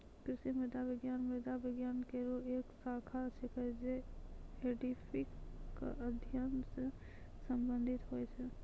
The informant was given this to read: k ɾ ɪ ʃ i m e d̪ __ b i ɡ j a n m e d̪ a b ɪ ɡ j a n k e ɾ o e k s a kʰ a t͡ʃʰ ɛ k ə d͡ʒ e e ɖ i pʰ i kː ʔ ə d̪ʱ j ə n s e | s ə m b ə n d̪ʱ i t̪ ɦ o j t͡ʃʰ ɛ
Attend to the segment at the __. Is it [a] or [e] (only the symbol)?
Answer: a